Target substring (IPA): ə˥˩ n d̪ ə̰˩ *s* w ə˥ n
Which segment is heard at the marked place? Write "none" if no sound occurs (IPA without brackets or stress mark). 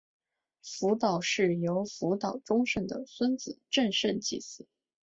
s